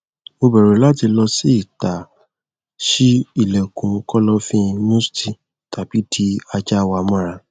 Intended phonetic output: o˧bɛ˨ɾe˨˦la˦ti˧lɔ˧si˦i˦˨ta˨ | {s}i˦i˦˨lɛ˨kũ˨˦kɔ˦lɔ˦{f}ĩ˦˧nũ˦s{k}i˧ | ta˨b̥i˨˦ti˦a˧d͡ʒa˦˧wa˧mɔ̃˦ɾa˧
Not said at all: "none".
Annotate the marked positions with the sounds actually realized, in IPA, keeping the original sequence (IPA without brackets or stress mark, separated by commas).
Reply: ʃ, f, t